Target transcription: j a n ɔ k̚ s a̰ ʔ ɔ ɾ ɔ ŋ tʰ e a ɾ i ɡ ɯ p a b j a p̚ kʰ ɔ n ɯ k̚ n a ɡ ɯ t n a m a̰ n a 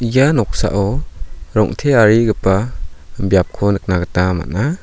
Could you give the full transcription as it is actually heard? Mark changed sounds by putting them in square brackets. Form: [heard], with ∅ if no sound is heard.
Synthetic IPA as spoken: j a n ɔ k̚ s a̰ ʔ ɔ ɾ ɔ ŋ tʰ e a ɾ i ɡ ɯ p a b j a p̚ kʰ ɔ n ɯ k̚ n a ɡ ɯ t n a m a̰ n a